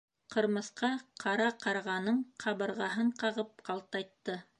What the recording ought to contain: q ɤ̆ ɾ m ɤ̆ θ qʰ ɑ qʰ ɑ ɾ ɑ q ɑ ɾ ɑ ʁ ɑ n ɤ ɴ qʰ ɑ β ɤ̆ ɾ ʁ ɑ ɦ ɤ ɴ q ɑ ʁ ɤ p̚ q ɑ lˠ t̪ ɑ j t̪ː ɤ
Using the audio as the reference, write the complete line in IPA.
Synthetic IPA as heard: q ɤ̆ ɾ m ɤ̆ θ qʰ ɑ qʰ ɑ ɾ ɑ q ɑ ɾ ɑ ʁ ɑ n ɤ ɴ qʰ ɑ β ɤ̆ ɾ ʁ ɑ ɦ ɤ ɴ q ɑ ʁ ɤ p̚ q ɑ lˠ t̪ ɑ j t̪ː ɤ